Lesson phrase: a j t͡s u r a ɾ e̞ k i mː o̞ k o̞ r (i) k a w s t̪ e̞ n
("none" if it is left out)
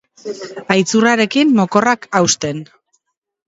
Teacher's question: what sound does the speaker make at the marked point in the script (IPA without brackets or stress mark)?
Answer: a